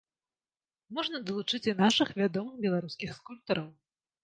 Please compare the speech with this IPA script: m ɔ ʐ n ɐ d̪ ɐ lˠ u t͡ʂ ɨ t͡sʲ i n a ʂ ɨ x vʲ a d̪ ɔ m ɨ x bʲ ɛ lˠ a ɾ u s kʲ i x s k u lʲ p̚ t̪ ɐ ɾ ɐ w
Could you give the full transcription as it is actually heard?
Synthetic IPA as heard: m ɔ ʐ n ɐ d̪ ɐ lˠ u t͡ʂ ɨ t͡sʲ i n a ʂ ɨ x vʲ a d̪ ɔ m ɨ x bʲ ɛ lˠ a ɾ u s kʲ i x s k u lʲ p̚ t̪ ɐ ɾ ɐ w

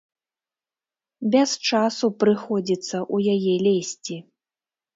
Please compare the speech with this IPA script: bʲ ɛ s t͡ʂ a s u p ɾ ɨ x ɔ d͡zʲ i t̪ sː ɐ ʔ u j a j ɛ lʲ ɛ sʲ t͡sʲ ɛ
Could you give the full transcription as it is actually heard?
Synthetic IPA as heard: bʲ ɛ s t͡ʂ a s u p ɾ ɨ x ɔ d͡zʲ i t̪ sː ɐ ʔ u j a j ɛ lʲ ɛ sʲ t͡sʲ i

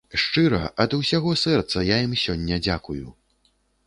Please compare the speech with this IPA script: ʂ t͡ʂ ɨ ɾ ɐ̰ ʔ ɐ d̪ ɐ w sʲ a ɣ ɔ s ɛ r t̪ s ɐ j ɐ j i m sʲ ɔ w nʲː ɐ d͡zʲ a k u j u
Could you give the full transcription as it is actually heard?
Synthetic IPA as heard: ʂ t͡ʂ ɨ ɾ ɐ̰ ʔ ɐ d̪ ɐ w sʲ a ɣ ɔ s ɛ r t̪ s ɐ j a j i m sʲ ɔ nʲː ɐ d͡zʲ a k u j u

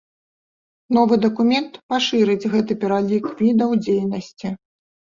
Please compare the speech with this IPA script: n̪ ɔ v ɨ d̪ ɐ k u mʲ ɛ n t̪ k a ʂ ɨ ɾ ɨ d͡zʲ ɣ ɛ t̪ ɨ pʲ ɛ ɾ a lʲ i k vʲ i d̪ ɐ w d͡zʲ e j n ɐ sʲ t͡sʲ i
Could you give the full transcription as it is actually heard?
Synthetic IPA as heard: n̪ ɔ v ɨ d̪ ɐ k u mʲ ɛ n t̪ p a ʂ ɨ ɾ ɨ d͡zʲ ɣ ɛ t̪ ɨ pʲ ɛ ɾ a lʲ i k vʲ i d̪ ɐ w d͡zʲ e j n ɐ sʲ t͡sʲ i

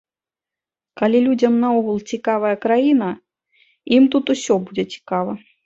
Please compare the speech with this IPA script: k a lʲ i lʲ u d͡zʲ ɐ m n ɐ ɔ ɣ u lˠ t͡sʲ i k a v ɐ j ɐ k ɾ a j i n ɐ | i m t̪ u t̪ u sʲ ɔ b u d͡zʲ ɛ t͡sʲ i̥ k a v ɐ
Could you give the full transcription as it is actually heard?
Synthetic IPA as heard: k a lʲ i lʲ u d͡zʲ ɐ m n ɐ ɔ ɣ u lˠ t͡sʲ i k a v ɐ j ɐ k ɾ a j i n ɐ | i m t̪ u t̪ u sʲ ɔ b u d͡zʲ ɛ t͡sʲ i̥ k a v ɐ

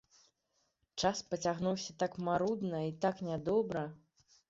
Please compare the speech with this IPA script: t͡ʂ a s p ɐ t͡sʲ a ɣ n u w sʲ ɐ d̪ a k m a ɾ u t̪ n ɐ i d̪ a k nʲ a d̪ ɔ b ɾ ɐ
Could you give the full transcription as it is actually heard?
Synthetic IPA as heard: t͡ʂ a s p ɐ t͡sʲ a ɣ n u w sʲ ɐ t̪ a k m a ɾ u d̪ n ɐ i t̪ a k nʲ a d̪ ɔ b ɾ ɐ

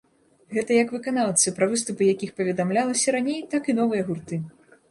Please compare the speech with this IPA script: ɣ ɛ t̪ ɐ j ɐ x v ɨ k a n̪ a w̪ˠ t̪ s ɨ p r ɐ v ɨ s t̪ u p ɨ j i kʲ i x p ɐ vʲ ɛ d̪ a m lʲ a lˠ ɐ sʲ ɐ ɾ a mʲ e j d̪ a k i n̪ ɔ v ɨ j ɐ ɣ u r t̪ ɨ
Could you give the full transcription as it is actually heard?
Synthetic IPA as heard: ɣ ɛ t̪ ɐ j ɐ k v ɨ k a n̪ a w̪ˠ t̪ s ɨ p ɾ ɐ v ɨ s t̪ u p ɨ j a kʲ i x p ɐ vʲ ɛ d̪ a m lʲ a lˠ ɐ sʲ ɐ ɾ a nʲ e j t̪ a k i n̪ ɔ v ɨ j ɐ ɣ u r t̪ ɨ

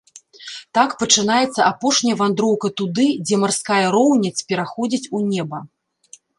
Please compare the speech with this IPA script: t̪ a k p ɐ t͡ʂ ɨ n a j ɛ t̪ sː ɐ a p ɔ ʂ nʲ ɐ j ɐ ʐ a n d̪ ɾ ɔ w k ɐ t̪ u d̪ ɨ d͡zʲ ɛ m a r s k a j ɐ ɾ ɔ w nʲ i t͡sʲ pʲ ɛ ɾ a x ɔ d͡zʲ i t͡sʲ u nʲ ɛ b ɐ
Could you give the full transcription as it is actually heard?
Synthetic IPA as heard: t̪ a k p ɐ t͡ʂ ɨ n a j ɛ t̪ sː ɐ a p ɔ ʂ nʲ ɐ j ɐ v a n d̪ ɾ ɔ w k ɐ t̪ u d̪ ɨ d͡zʲ ɛ m a r s k a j ɐ ɾ ɔ w nʲ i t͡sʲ pʲ ɛ ɾ a x ɔ d͡zʲ i t͡sʲ u nʲ ɛ b ɐ

